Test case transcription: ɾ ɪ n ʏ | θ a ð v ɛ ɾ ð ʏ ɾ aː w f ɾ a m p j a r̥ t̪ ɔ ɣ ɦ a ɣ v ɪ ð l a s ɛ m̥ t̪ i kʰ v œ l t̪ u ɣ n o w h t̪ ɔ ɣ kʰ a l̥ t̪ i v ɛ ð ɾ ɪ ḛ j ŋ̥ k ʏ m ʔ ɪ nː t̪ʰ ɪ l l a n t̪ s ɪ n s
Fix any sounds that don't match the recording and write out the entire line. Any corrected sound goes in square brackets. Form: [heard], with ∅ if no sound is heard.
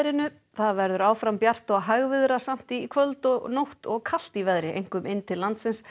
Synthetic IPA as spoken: ɾ ɪ n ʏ | θ a ð v ɛ ɾ ð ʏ ɾ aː w f ɾ a m p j a r̥ t̪ ɔ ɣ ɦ a ɣ v ɪ ð [ɾ] a s [a] m̥ t̪ i kʰ v œ l t̪ [ɔ] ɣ n o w h t̪ ɔ ɣ kʰ a l̥ t̪ i v ɛ ð ɾ ɪ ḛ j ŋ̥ k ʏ m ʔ ɪ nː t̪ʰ ɪ l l a n t̪ s ɪ n s